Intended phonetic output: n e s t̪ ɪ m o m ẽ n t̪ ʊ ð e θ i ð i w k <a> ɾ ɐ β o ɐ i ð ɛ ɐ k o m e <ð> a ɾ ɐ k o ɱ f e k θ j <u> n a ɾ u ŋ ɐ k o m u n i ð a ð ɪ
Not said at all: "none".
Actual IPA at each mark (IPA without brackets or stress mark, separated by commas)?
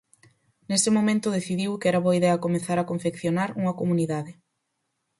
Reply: ɛ, θ, o